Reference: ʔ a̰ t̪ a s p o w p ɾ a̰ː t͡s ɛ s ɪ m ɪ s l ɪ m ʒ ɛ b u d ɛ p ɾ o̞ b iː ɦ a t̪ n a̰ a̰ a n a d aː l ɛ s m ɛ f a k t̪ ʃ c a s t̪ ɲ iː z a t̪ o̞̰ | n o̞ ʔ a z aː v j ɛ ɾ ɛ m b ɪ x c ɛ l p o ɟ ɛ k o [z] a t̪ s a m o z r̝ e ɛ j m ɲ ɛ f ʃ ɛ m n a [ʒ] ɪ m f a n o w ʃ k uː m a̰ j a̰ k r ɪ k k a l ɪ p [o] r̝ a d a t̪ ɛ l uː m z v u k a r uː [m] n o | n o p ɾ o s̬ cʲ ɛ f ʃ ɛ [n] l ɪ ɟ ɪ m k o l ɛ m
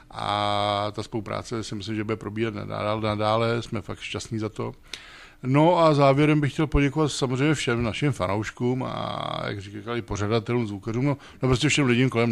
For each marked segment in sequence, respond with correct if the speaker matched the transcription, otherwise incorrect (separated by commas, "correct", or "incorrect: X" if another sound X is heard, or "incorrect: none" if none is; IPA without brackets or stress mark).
incorrect: v, incorrect: ʃ, correct, correct, incorrect: m